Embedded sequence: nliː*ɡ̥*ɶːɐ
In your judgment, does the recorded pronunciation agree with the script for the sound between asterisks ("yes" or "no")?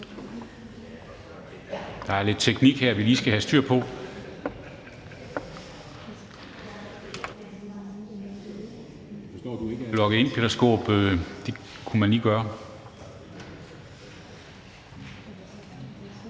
yes